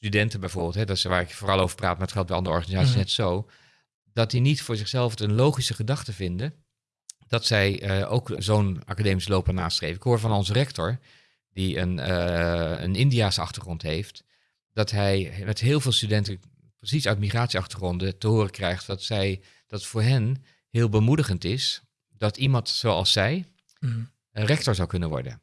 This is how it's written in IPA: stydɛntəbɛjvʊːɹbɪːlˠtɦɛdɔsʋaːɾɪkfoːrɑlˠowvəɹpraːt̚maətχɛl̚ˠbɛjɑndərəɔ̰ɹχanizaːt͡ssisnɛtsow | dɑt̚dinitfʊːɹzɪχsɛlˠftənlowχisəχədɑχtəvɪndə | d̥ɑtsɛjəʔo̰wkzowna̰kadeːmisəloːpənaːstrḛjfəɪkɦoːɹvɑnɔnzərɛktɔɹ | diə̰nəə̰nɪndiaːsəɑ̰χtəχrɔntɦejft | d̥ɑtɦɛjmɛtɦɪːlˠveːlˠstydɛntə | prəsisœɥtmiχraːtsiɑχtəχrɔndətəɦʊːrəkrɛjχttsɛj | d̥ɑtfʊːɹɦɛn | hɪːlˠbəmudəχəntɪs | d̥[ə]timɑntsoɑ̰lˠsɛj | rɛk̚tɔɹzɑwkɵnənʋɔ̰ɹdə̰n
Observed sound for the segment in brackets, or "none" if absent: ɑ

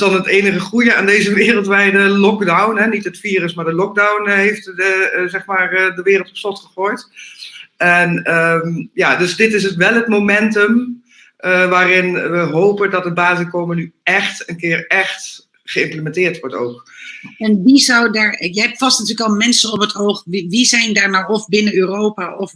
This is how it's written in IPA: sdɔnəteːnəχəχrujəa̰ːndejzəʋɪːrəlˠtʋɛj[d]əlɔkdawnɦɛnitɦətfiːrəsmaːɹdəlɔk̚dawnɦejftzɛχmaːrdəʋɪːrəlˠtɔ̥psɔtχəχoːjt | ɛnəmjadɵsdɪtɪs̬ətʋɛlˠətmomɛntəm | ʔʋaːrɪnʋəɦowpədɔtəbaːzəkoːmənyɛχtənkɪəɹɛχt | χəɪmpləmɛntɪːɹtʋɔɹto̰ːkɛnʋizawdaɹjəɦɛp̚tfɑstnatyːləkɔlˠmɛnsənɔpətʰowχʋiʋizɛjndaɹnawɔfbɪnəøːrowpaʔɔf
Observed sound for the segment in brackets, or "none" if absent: d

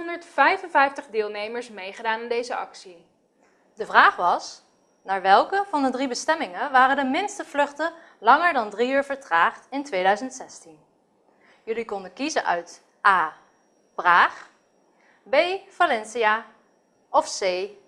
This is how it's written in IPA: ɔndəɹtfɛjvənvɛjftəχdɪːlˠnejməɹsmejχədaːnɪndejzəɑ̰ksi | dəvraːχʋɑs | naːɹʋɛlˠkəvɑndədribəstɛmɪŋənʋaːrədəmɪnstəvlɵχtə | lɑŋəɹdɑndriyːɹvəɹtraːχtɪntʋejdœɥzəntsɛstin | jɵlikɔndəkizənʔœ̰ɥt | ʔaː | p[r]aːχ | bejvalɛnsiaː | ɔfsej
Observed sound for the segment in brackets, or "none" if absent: r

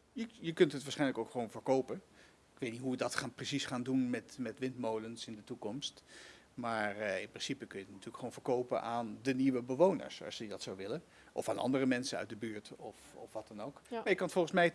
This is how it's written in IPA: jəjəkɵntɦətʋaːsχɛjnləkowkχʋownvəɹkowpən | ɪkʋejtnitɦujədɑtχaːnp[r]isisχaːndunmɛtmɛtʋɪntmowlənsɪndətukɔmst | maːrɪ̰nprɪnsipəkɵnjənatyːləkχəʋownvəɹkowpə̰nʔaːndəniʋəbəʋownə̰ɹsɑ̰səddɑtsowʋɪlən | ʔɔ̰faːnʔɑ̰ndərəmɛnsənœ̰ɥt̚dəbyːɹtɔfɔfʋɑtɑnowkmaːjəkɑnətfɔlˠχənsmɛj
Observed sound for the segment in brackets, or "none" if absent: r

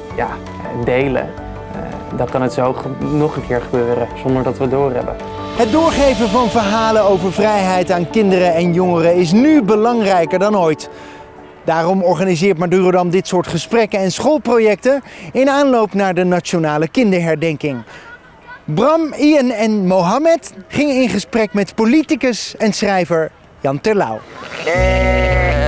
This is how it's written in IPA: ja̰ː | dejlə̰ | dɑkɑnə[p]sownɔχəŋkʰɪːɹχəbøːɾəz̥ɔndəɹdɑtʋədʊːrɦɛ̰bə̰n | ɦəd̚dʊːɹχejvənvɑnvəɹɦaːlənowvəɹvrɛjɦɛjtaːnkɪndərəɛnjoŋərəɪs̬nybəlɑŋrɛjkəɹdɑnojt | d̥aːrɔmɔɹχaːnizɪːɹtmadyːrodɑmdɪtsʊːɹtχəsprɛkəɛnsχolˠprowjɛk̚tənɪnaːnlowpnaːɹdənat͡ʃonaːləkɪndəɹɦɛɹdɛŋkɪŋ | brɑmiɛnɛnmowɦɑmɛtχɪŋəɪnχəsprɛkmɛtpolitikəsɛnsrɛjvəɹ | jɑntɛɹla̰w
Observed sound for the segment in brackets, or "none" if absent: t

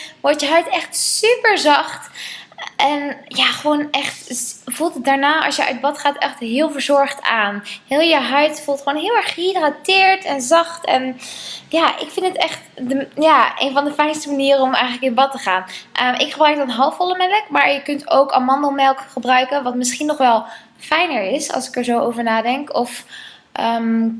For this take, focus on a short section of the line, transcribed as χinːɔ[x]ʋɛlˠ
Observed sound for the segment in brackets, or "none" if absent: χ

